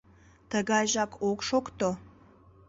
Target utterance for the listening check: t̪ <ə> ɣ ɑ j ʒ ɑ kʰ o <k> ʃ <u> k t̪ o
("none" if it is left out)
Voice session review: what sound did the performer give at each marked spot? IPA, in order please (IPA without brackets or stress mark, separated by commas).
ə, k, o